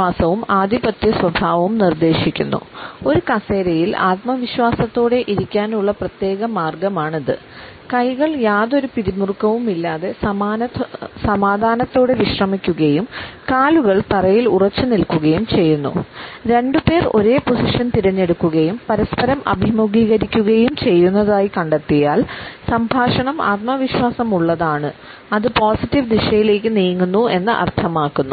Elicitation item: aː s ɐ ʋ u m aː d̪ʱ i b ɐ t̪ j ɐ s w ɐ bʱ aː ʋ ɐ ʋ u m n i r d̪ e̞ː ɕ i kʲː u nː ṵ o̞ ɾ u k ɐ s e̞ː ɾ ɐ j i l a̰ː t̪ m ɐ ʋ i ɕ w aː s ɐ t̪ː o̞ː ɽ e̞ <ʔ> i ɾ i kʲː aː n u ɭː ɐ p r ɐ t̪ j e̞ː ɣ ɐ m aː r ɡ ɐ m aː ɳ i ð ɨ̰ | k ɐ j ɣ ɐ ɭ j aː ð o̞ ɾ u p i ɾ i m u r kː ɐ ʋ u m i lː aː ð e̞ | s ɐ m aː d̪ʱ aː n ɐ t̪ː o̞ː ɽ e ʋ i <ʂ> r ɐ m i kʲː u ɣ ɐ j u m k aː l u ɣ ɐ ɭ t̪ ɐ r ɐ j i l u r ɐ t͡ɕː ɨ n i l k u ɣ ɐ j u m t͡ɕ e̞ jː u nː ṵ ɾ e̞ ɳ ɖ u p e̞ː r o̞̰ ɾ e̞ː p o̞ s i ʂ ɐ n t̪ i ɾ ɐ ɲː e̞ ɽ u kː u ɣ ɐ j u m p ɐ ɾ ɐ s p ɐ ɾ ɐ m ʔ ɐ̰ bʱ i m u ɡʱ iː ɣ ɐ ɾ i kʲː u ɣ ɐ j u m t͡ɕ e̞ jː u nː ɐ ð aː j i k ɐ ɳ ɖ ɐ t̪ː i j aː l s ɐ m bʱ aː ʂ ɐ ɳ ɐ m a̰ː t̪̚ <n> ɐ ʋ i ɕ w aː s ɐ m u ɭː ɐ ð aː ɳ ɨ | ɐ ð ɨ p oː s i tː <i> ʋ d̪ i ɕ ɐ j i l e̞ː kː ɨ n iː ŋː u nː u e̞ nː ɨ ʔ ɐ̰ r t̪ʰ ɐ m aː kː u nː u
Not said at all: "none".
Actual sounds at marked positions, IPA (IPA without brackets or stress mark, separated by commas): ʔ, ɕ, m, i